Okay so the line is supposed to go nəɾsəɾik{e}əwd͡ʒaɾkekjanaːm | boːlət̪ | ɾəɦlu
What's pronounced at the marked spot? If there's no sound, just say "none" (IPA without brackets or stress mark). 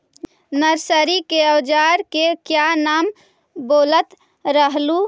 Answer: e